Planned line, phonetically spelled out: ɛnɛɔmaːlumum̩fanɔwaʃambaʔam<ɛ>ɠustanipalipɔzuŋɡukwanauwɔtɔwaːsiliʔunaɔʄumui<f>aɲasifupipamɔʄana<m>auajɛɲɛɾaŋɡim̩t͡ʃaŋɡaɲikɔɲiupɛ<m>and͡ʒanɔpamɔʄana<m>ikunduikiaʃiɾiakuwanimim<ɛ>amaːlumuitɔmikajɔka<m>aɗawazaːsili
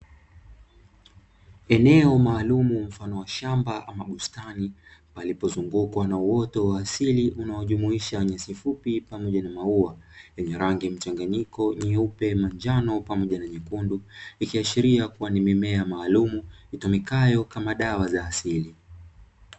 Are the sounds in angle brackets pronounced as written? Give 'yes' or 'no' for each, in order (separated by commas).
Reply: no, no, yes, yes, no, yes, yes